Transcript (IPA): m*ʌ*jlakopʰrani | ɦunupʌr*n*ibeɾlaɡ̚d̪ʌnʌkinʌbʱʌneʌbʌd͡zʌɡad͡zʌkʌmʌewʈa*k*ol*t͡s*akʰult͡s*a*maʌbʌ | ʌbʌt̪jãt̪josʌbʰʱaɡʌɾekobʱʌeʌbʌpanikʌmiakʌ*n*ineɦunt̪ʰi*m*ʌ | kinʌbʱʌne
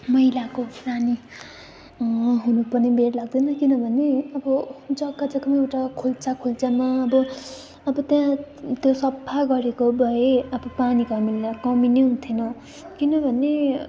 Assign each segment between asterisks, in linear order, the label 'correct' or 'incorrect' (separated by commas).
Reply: correct, correct, incorrect, correct, correct, incorrect, incorrect